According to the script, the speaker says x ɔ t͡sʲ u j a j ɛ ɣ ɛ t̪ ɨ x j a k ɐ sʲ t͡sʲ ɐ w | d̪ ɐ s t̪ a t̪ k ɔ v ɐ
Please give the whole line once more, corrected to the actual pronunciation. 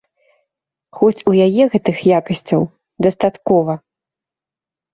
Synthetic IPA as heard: x ɔ t͡sʲ u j a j ɛ ɣ ɛ t̪ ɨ x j a k ɐ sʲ t͡sʲ ɐ w | d̪ ɐ s t̪ a t̪ k ɔ v ɐ